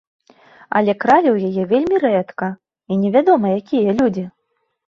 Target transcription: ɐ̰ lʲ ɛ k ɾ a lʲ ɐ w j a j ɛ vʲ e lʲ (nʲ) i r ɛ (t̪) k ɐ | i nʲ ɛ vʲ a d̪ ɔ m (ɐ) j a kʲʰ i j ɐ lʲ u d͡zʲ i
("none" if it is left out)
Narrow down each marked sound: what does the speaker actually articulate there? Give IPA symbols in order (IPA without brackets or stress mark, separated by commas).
mʲ, t̪, ɐ